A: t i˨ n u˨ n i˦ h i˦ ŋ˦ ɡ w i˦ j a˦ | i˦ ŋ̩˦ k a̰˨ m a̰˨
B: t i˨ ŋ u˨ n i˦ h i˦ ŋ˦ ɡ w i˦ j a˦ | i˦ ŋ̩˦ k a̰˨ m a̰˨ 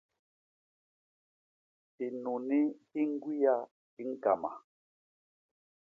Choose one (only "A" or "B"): A